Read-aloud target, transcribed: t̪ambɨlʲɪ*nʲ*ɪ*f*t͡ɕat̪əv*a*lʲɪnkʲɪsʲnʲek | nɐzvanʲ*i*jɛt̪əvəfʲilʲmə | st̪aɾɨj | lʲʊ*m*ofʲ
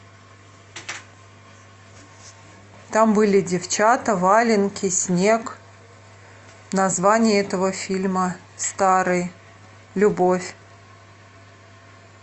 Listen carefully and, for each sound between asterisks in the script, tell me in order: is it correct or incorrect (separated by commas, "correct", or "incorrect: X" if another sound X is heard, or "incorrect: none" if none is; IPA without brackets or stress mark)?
incorrect: dʲ, correct, correct, incorrect: ɪ, incorrect: b